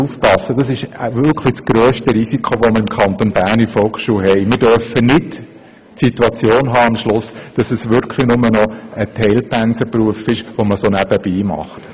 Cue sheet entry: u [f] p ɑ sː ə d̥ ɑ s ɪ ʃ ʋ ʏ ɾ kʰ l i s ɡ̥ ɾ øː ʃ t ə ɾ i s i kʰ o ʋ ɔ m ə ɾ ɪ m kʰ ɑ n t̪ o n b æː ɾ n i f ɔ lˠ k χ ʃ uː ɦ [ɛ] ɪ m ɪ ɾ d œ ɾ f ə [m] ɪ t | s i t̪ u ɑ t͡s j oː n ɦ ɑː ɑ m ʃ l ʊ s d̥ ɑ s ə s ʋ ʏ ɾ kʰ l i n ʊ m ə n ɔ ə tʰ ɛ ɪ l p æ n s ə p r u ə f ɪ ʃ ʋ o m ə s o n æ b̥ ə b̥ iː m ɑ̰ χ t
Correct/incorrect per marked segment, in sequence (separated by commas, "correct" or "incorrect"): correct, correct, incorrect